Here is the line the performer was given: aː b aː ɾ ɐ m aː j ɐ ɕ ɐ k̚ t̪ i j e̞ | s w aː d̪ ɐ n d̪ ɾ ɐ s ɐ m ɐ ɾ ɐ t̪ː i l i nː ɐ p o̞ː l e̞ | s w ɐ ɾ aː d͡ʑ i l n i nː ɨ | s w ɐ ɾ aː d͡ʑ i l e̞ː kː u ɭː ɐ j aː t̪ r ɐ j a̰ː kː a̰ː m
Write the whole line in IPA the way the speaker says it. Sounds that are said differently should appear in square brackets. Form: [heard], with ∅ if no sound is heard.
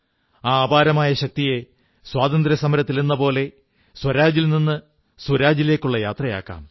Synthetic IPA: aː b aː ɾ ɐ m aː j ɐ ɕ ɐ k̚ t̪ i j e̞ | s w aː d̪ ɐ n d̪ ɾ ɐ s ɐ m ɐ ɾ ɐ t̪ː i l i nː ɐ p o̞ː l e̞ | s w ɐ ɾ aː d͡ʑ i l n i nː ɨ | s w ɐ ɾ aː d͡ʑ i l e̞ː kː u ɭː ɐ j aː t̪ r ɐ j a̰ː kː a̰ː m